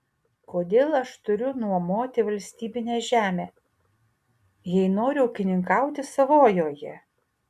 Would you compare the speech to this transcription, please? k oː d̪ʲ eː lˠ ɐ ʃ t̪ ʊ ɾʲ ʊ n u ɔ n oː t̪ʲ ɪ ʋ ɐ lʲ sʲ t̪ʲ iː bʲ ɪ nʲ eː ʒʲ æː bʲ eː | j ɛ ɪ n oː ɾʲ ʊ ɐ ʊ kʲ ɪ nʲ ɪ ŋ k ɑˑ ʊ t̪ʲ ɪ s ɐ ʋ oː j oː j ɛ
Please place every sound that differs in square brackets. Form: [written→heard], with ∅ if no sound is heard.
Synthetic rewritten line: k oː d̪ʲ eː lˠ ɐ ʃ t̪ ʊ ɾʲ ʊ n u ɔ [n→m] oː t̪ʲ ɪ ʋ ɐ lʲ sʲ t̪ʲ iː bʲ ɪ nʲ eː ʒʲ æː [bʲ→mʲ] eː | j ɛ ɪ n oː ɾʲ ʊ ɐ ʊ kʲ ɪ nʲ ɪ ŋ k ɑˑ ʊ t̪ʲ ɪ s ɐ ʋ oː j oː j ɛ